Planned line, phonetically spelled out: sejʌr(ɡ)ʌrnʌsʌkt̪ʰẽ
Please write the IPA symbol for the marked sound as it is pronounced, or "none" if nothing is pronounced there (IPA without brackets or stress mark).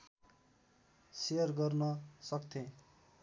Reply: ɡ